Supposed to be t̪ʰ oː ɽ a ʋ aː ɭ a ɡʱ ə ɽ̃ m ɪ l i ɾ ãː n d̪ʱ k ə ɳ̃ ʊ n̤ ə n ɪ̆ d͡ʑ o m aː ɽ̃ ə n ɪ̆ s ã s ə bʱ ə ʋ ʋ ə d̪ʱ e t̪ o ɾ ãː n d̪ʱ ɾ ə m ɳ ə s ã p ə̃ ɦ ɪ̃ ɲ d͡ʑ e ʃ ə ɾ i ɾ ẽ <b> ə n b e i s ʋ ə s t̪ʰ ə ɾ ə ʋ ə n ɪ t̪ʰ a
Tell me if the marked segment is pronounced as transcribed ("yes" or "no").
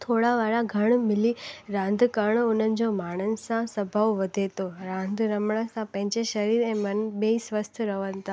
no